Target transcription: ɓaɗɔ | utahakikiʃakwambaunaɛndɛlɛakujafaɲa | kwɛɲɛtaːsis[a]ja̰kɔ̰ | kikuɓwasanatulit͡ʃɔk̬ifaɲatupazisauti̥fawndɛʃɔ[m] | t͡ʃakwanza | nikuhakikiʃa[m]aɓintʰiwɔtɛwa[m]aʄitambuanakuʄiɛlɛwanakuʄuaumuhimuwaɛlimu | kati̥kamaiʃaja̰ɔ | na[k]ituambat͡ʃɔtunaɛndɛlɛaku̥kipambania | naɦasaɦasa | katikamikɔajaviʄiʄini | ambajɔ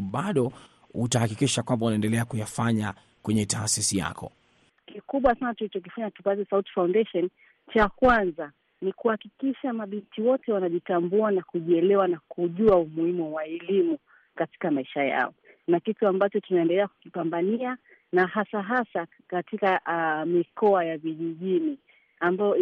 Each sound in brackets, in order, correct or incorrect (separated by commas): incorrect, incorrect, correct, incorrect, correct